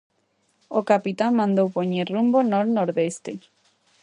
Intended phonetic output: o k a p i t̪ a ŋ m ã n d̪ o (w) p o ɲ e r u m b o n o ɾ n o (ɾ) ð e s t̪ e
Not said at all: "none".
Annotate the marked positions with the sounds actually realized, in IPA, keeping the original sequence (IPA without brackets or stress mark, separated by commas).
w, ɾ